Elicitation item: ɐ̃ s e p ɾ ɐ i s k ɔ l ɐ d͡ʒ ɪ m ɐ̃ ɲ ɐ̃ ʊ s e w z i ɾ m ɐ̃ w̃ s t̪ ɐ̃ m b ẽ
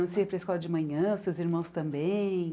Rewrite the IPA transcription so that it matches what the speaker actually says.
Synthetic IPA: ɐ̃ s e p ɾ ɐ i s k ɔ l ɐ d͡ʒ ɪ m ɐ̃ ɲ ɐ̃ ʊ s e w z i ɾ m ɐ̃ w̃ s t̪ ɐ̃ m b ẽ